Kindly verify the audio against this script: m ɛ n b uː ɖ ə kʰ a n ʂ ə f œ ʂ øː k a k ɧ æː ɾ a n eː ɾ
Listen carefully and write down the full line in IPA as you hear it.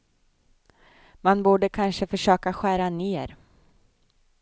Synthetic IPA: m a n b uː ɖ ə kʰ a n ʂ ə f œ ʂ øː k a ɧ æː ɾ a n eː ɾ